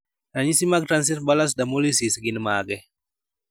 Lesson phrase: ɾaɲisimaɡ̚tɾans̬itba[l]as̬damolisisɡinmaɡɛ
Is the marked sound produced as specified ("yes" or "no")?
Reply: yes